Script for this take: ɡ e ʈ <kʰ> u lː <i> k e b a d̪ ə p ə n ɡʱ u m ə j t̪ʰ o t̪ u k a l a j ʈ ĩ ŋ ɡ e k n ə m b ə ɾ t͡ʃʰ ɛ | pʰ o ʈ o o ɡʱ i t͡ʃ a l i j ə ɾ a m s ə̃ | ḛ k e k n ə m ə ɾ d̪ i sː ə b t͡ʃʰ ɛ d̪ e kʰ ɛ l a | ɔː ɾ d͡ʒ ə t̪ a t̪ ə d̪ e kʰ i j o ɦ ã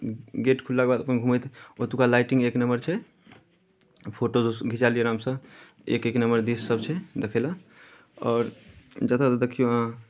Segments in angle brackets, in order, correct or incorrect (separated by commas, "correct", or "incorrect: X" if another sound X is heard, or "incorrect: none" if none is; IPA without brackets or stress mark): correct, incorrect: a